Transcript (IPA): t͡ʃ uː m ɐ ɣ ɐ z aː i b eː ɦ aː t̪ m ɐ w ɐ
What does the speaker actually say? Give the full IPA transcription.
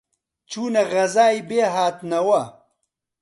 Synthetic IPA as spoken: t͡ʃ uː n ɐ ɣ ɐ z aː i b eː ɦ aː t̪ n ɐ w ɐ